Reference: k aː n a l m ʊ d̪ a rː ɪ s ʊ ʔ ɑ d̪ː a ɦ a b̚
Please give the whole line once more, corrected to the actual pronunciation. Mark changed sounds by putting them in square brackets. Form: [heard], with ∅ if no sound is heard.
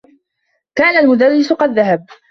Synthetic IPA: k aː n a l m ʊ d̪ a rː ɪ s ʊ [q] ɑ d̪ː a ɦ a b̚